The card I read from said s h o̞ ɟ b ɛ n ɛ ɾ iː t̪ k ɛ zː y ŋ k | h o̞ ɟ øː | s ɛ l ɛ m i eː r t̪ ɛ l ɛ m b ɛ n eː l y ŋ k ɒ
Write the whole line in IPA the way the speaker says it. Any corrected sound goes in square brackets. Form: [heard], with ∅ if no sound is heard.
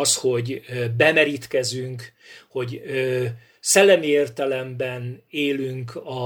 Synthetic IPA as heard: s h o̞ ɟ b ɛ [m] ɛ ɾ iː t̪ k ɛ [z] y ŋ k | h o̞ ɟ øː | s ɛ [lː] ɛ m i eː r t̪ ɛ l ɛ m b ɛ n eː l y ŋ k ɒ